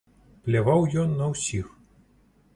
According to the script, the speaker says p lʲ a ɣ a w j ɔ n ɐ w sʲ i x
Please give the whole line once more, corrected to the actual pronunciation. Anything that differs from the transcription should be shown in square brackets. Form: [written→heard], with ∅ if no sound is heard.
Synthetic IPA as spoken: p lʲ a [ɣ→v] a w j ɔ [n→nː] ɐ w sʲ i x

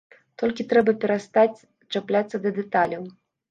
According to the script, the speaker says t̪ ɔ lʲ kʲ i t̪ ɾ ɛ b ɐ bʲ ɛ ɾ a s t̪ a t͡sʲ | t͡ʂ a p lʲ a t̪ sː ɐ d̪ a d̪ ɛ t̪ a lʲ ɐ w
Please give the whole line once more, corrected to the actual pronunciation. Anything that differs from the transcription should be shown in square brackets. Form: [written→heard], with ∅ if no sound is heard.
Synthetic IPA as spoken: t̪ ɔ lʲ kʲ i t̪ ɾ ɛ b ɐ [bʲ→pʲ] ɛ ɾ a s t̪ a t͡sʲ | t͡ʂ a p lʲ a t̪ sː ɐ d̪ [a→ɐ] d̪ ɛ t̪ a lʲ ɐ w

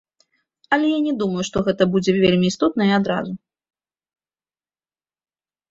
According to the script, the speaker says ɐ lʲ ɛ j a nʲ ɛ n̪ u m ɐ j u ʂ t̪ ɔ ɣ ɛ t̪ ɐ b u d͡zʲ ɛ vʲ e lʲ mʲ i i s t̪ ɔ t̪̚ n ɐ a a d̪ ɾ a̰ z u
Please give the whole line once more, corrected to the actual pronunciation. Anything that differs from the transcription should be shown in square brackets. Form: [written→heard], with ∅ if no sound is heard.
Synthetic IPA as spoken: ɐ lʲ ɛ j a nʲ ɛ [n̪→d̪] u m ɐ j u ʂ t̪ ɔ ɣ ɛ t̪ ɐ b u d͡zʲ ɛ vʲ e lʲ mʲ i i s t̪ ɔ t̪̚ n ɐ [a→i] a d̪ ɾ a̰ z u

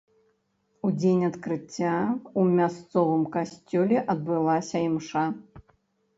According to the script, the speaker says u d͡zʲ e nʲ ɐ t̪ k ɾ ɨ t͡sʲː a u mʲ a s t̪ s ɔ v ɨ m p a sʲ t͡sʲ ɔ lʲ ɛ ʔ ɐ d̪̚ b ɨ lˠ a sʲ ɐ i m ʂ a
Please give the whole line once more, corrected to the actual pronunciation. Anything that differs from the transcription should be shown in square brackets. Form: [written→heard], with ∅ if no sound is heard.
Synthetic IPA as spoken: u d͡zʲ e nʲ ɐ t̪ k ɾ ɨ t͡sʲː a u mʲ a s t̪ s ɔ v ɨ m [p→k] a sʲ t͡sʲ ɔ lʲ ɛ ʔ ɐ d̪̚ b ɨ lˠ a sʲ ɐ i m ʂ a

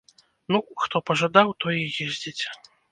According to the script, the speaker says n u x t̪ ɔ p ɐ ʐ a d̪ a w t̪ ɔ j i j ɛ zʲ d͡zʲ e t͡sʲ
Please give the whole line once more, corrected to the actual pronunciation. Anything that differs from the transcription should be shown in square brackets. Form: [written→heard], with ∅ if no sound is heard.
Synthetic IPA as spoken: n u x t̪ ɔ p ɐ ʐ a d̪ a w t̪ ɔ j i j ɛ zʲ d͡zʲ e t͡sʲ

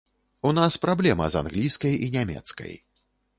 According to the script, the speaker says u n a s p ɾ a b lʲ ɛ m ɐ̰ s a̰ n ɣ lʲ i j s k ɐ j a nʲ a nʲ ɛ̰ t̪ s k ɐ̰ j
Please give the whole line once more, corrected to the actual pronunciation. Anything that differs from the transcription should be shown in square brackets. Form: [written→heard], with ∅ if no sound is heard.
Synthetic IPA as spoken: u n a s p ɾ a b lʲ ɛ m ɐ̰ [s→z] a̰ n ɣ lʲ i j s k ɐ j [a→i] nʲ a [nʲ→mʲ] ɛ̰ t̪ s k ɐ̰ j

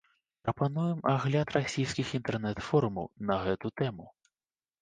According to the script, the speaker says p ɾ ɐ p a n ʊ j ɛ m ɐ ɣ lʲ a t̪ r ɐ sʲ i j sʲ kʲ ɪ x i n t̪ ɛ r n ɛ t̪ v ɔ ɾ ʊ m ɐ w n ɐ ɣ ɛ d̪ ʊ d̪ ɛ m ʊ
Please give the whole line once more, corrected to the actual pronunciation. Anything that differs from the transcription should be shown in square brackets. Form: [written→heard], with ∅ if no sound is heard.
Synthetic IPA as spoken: p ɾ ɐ p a n [ʊ→u] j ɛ m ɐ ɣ lʲ a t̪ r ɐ sʲ i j sʲ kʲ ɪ x i n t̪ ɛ r n ɛ t̪ [v→f] ɔ ɾ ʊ m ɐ w n ɐ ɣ ɛ [d̪→t̪] ʊ [d̪→t̪] ɛ m ʊ

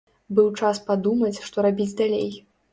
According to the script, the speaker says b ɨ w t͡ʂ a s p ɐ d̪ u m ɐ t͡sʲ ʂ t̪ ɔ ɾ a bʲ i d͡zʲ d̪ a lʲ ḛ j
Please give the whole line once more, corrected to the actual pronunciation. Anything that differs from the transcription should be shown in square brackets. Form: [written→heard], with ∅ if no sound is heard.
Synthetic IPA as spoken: b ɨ w t͡ʂ a s p [ɐ→a] d̪ u m ɐ t͡sʲ ʂ t̪ ɔ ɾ a bʲ i d͡zʲ d̪ a lʲ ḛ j

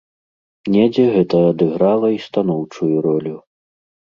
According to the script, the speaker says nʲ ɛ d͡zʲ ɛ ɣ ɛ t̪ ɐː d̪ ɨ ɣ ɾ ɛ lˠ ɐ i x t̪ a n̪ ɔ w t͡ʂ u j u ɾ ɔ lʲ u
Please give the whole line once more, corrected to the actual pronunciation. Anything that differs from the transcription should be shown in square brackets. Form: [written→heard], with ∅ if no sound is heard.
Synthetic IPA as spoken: nʲ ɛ d͡zʲ ɛ ɣ ɛ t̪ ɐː d̪ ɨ ɣ ɾ [ɛ→a] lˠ ɐ i [x→s] t̪ a n̪ ɔ w t͡ʂ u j u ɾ ɔ lʲ u

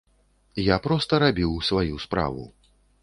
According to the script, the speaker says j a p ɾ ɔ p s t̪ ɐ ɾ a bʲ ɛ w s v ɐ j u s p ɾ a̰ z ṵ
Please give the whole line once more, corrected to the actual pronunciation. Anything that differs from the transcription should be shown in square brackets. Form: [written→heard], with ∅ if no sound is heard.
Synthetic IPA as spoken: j a p ɾ ɔ [p→∅] s t̪ ɐ ɾ a bʲ [ɛ→i] w s v [ɐ→a] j u s p ɾ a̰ [z→v] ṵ

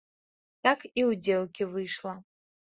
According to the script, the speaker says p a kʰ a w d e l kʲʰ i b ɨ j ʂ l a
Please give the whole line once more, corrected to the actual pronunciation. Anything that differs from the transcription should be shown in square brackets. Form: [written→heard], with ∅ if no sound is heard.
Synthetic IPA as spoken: [p→t] a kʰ [a→i] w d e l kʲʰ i [b→v] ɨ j ʂ l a

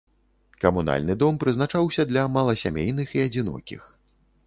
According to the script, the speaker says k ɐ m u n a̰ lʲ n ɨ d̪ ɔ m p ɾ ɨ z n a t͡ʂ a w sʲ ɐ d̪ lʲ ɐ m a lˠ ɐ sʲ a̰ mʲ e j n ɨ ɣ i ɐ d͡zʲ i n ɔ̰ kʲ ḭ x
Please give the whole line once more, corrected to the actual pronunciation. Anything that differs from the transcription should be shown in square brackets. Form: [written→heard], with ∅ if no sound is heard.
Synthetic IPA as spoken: k ɐ m u n a̰ lʲ n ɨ d̪ ɔ m p ɾ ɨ z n a t͡ʂ a w sʲ ɐ d̪ lʲ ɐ m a lˠ ɐ sʲ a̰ mʲ e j n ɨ [ɣ→x] i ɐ d͡zʲ i n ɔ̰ kʲ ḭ x

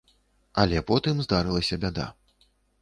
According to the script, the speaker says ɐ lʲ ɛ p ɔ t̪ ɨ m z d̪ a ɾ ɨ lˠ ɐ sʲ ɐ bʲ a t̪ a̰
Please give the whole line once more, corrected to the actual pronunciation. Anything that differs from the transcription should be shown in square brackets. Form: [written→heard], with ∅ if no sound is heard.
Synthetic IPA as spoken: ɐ lʲ ɛ p ɔ t̪ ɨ m z d̪ a ɾ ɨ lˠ ɐ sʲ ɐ bʲ a [t̪→d̪] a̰

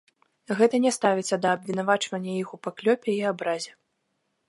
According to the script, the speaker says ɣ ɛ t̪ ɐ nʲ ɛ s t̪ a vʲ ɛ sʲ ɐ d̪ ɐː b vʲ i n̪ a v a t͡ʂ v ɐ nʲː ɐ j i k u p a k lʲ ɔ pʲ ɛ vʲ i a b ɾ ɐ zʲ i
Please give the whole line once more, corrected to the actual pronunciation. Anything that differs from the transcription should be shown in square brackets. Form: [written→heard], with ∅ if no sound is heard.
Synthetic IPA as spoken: ɣ ɛ t̪ ɐ nʲ ɛ s t̪ a vʲ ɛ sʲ ɐ d̪ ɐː b vʲ i n̪ a v a t͡ʂ v ɐ nʲː ɐ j i [k→x] u p a k lʲ ɔ pʲ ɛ [vʲ→∅] i a b ɾ [ɐ→a] zʲ [i→ɛ]

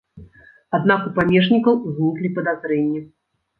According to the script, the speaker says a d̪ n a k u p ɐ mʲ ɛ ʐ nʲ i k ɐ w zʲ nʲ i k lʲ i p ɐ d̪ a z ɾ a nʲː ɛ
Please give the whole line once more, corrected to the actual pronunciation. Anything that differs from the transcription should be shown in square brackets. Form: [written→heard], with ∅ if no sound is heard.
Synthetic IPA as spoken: a d̪ n a k u p [ɐ→a] mʲ ɛ ʐ nʲ i k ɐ w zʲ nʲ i k lʲ i p ɐ d̪ a z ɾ [a→ɛ] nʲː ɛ

